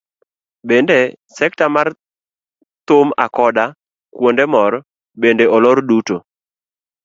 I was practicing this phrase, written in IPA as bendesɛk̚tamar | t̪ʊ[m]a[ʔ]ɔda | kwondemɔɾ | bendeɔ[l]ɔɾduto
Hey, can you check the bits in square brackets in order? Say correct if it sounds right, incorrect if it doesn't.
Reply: correct, incorrect, correct

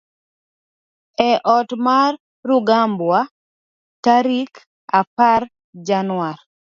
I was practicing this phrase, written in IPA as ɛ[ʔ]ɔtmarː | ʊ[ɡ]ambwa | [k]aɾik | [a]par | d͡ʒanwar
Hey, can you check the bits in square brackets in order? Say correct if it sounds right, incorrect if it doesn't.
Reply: correct, correct, incorrect, correct

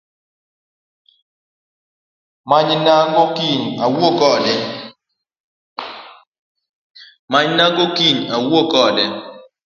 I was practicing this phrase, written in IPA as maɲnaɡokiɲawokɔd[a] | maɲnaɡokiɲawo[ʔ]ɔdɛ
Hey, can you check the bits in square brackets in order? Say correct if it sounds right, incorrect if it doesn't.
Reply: incorrect, incorrect

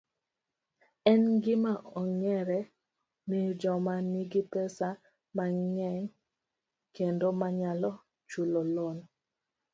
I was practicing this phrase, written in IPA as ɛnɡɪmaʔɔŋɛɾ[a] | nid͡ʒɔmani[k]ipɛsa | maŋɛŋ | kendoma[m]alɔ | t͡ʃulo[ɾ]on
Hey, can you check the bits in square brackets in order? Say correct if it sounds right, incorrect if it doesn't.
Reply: incorrect, incorrect, incorrect, incorrect

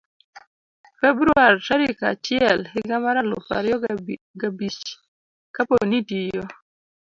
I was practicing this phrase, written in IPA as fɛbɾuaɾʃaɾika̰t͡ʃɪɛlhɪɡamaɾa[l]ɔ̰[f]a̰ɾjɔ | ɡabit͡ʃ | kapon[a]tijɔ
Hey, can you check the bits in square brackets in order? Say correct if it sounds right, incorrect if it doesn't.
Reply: correct, correct, incorrect

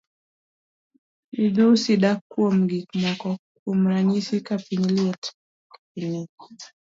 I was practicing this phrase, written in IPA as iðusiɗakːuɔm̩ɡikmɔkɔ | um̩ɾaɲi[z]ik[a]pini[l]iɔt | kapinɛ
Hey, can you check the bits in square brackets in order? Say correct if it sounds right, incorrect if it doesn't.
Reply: incorrect, correct, correct

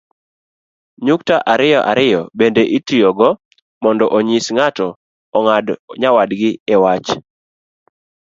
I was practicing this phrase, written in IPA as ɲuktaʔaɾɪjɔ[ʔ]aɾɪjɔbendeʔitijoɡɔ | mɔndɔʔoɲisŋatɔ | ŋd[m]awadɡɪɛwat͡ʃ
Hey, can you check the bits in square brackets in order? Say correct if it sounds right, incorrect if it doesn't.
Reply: correct, incorrect

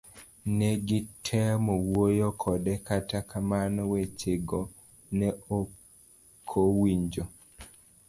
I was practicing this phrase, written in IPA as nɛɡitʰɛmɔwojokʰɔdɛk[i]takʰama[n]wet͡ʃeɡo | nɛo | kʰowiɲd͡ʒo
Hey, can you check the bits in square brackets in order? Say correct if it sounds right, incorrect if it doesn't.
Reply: incorrect, correct

